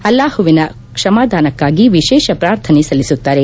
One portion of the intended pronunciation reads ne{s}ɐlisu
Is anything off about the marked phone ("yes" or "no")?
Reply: no